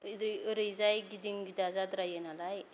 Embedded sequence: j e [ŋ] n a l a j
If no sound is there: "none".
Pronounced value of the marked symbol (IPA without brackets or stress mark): none